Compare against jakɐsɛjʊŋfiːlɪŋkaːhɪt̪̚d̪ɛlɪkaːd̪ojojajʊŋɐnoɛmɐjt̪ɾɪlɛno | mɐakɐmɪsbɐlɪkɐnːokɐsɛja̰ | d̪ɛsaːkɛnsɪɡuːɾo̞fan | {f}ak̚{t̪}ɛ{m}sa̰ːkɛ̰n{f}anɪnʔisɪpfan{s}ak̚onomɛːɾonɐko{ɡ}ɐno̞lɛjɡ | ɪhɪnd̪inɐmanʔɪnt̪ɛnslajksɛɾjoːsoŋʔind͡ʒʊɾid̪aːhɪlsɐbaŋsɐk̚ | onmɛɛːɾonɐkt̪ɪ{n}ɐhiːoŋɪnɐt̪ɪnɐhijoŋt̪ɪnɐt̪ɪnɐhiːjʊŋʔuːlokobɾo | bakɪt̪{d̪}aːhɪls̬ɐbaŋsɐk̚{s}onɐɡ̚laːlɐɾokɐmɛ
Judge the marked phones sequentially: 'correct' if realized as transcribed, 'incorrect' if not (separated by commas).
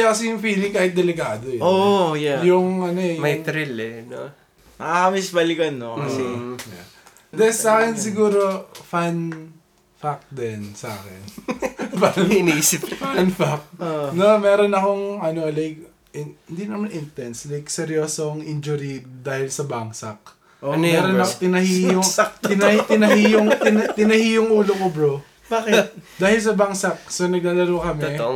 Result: correct, incorrect, incorrect, correct, incorrect, incorrect, correct, correct, correct